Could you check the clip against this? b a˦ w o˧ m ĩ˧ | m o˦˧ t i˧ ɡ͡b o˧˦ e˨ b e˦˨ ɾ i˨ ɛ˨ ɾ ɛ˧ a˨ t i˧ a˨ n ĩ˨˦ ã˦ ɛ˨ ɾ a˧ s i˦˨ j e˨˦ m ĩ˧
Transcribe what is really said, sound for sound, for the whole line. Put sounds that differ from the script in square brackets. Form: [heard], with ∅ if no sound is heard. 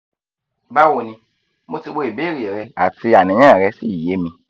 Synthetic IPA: b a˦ w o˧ [n] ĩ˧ | m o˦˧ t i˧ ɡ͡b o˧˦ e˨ b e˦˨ ɾ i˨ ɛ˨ ɾ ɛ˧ a˨ t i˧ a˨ n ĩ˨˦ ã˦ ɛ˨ ɾ [ɛ˧] s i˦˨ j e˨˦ m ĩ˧